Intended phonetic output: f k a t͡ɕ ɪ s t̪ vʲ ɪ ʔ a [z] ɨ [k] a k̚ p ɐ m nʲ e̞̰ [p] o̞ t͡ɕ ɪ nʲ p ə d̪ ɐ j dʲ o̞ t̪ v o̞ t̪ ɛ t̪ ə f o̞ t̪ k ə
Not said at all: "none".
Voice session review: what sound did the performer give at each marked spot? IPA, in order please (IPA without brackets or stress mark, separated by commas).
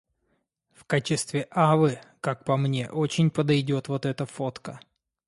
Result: v, k, ʔ